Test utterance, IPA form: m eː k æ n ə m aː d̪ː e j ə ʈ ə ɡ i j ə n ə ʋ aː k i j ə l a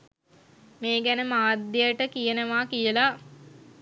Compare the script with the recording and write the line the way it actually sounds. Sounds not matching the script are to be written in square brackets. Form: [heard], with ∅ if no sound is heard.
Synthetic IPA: m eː [ɡ] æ n ə m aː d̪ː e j ə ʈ ə [k] i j ə n ə ʋ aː k i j ə l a